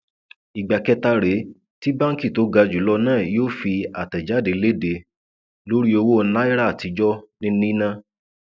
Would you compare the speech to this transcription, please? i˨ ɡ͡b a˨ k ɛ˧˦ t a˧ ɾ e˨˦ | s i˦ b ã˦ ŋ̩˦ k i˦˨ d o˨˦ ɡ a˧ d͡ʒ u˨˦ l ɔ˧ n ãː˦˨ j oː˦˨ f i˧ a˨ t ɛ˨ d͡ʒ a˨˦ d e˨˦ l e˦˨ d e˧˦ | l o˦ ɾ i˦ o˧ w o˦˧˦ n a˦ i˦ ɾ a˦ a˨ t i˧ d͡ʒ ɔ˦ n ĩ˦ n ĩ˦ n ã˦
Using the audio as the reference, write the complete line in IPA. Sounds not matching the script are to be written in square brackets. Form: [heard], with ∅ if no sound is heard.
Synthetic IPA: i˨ ɡ͡b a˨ k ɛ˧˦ t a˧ ɾ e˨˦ | [t] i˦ b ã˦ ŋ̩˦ k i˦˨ [t] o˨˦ ɡ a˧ d͡ʒ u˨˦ l ɔ˧ n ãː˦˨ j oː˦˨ f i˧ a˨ t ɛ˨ d͡ʒ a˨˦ d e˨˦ l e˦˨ d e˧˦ | l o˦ ɾ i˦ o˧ w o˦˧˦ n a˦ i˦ ɾ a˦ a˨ t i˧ d͡ʒ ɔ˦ n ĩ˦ n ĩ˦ n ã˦